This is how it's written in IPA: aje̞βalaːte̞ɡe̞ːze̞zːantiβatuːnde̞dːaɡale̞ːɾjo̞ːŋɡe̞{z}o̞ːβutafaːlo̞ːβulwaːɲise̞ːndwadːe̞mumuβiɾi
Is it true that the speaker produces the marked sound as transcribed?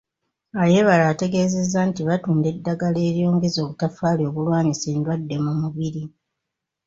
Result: yes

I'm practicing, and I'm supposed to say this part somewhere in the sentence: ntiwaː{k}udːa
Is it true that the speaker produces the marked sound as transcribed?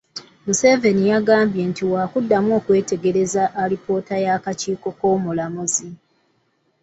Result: yes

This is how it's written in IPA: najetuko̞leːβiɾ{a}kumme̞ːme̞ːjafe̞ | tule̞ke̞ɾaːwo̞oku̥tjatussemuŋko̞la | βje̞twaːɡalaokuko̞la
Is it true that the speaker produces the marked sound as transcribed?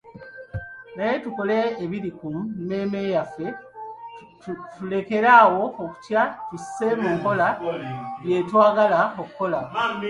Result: no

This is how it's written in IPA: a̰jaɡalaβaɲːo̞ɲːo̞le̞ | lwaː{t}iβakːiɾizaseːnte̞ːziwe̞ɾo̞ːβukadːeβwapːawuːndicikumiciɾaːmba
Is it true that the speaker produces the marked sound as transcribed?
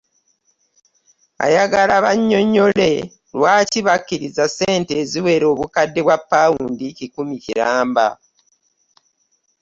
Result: no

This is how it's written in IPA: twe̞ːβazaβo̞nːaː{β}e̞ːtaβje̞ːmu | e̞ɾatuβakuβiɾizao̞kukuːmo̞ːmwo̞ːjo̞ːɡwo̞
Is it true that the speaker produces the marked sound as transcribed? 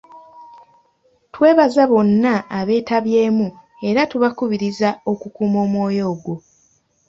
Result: yes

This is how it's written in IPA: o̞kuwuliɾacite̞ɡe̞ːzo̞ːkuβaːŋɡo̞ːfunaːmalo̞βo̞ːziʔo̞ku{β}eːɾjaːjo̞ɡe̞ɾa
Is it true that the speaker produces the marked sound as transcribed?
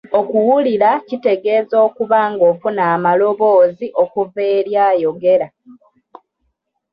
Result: no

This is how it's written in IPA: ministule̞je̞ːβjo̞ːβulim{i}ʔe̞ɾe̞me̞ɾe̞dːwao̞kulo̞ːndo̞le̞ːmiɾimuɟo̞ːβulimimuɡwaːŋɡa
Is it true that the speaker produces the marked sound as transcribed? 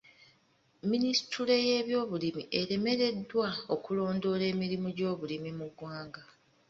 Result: yes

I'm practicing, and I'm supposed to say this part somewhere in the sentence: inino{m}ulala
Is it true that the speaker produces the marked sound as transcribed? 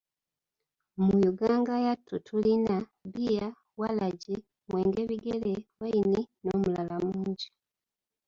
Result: yes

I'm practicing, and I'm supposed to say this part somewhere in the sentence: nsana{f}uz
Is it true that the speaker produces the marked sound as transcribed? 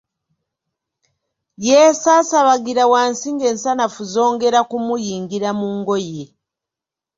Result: yes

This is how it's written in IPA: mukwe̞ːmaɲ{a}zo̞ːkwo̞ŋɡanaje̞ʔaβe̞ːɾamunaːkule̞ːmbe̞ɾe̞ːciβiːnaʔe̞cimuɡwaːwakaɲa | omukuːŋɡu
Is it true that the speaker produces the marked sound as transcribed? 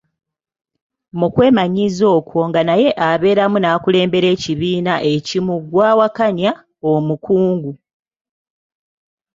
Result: no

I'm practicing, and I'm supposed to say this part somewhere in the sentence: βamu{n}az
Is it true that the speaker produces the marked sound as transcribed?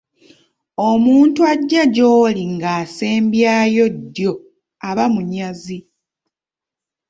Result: no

